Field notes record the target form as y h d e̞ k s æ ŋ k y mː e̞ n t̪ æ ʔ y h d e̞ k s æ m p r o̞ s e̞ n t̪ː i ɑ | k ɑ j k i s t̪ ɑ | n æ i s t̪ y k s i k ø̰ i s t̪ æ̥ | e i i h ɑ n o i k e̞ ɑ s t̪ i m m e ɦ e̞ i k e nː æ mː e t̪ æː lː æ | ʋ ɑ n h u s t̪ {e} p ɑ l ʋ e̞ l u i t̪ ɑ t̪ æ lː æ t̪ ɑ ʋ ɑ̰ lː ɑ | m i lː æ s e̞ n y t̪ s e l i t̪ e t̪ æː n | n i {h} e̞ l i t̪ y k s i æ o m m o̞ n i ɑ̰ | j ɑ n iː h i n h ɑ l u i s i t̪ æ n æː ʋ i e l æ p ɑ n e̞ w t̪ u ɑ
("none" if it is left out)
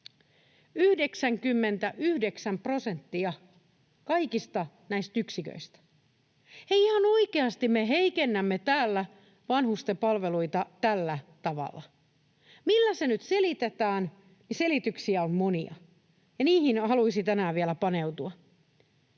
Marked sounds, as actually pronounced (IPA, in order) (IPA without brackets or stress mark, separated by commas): e, s